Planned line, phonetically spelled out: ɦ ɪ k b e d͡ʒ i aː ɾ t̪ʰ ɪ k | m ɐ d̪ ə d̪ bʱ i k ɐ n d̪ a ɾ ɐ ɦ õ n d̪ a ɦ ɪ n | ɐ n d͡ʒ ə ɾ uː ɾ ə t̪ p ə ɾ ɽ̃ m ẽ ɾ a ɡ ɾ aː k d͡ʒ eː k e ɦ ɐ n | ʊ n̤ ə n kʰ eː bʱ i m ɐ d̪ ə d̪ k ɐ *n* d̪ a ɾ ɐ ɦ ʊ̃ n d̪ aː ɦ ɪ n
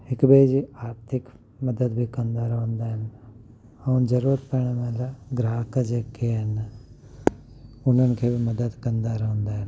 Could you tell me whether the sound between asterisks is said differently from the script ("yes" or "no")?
no